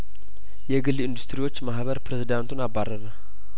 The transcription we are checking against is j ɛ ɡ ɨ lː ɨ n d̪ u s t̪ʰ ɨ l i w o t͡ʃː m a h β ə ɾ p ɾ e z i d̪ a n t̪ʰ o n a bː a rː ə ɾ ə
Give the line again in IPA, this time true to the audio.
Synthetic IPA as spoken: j ɛ ɡ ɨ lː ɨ n d̪ u s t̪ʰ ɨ ɾ i w o t͡ʃː m a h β ə ɾ p ɾ e z i d̪ a n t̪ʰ u n a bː a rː ə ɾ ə